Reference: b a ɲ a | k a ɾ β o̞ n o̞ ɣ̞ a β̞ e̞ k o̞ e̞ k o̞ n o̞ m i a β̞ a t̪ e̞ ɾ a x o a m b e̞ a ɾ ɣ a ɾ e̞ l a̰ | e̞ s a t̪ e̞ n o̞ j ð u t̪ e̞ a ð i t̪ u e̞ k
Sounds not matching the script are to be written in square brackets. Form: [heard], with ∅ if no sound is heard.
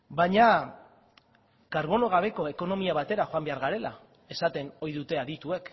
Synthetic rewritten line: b a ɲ a | k a ɾ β o̞ n o̞ ɣ̞ a β̞ e̞ k o̞ e̞ k o̞ n o̞ m i a β̞ a t̪ e̞ ɾ a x o a m b e̞ a ɾ ɣ a ɾ e̞ l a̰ | e̞ s a t̪ e̞ n o̞ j ð u t̪ e̞ a ð i t̪ u e̞ k